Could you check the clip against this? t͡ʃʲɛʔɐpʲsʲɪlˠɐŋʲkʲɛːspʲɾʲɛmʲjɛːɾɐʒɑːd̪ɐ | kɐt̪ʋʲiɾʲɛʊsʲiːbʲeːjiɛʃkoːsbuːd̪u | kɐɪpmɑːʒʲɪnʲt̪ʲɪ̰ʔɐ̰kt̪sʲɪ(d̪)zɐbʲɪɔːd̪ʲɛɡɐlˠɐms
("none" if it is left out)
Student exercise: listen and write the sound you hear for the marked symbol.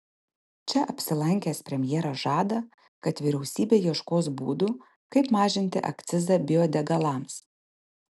none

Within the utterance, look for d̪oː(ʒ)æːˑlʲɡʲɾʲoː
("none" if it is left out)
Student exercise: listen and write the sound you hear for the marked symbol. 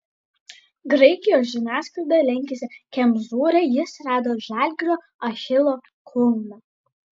ʒ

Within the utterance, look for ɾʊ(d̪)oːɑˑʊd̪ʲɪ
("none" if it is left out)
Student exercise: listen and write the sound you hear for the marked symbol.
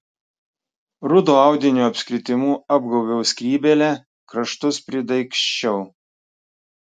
d̪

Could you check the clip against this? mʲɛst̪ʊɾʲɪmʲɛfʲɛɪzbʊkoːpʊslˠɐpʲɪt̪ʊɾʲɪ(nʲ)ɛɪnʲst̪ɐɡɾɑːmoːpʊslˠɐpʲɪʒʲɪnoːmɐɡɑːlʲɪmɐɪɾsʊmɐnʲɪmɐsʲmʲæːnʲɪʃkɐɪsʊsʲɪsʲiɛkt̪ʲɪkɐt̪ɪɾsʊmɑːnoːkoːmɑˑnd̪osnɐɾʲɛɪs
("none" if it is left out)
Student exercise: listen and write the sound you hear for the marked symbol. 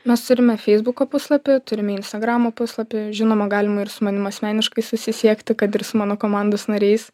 mʲ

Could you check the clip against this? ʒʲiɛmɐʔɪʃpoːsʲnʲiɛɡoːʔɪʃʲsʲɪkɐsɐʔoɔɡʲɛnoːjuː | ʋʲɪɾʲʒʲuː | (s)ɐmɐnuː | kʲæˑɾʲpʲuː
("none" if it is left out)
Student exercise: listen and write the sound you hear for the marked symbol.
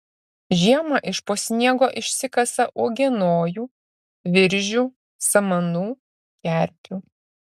s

